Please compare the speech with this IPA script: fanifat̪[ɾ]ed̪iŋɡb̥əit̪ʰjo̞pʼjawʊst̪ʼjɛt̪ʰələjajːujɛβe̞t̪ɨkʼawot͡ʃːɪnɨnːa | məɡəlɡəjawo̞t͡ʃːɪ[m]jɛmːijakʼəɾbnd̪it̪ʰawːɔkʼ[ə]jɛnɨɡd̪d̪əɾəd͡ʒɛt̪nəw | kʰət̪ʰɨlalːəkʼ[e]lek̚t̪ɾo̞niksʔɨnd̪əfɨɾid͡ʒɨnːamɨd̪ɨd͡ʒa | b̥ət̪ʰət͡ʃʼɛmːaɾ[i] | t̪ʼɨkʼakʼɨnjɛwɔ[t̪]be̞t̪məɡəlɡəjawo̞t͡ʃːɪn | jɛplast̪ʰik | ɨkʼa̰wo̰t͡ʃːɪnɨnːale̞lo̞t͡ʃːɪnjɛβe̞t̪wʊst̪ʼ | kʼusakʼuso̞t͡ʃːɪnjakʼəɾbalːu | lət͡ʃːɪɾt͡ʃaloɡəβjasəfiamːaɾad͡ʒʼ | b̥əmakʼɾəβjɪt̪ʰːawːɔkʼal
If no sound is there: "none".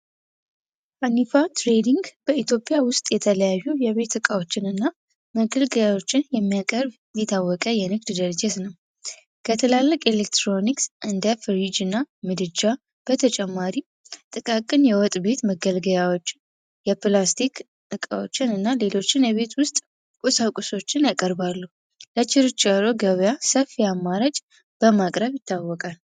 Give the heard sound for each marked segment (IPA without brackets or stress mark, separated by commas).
ɾ, n, ə, e, i, t̪ʼ